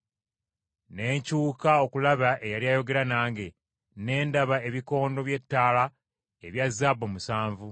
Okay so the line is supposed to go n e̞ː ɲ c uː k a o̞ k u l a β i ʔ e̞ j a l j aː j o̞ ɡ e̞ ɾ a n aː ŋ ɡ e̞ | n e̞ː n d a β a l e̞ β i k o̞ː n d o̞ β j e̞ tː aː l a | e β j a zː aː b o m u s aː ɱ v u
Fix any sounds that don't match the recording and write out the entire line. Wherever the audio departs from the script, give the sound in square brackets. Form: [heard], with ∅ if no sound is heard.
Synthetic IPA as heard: n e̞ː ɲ c uː k a o̞ k u l a β [a] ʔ e̞ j a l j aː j o̞ ɡ e̞ ɾ a n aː ŋ ɡ e̞ | n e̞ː n d a β a [∅] e̞ β i k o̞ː n d o̞ β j e̞ tː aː l a | e β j a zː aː b o m u s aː ɱ v u